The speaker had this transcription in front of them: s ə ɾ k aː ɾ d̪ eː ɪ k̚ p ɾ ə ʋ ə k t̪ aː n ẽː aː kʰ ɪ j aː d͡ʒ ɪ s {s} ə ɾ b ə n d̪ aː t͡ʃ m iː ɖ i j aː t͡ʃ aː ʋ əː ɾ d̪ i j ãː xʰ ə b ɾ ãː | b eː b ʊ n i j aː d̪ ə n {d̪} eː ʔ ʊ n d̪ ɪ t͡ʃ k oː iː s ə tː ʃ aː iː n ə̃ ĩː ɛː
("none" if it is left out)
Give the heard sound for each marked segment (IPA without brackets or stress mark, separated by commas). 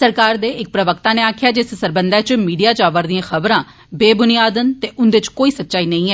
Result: s, t̪